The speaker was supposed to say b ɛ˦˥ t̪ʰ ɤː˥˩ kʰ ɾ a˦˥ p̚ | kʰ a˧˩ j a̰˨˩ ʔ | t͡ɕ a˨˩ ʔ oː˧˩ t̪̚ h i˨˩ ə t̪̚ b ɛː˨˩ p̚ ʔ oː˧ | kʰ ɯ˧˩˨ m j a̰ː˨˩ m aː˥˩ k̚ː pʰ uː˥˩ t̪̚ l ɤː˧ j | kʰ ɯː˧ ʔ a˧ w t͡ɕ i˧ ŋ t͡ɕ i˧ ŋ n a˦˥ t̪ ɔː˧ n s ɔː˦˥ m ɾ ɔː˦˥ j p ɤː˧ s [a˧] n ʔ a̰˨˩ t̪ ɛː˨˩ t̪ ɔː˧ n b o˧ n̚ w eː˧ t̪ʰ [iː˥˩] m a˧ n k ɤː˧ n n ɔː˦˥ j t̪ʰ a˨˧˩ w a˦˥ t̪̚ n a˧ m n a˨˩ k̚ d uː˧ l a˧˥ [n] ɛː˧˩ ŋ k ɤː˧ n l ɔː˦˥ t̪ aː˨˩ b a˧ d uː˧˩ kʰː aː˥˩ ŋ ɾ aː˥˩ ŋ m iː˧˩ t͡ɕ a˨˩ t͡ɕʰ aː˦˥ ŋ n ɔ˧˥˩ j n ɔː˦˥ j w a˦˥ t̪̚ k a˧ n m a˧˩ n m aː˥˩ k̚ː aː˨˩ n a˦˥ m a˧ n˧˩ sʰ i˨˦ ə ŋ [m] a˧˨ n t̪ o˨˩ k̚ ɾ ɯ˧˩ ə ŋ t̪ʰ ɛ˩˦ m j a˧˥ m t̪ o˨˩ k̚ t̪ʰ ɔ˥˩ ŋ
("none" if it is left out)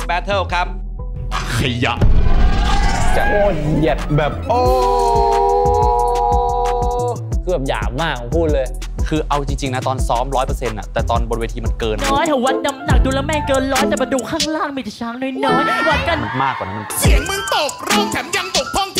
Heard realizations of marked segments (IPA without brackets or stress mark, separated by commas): e˧, iː˧, m, m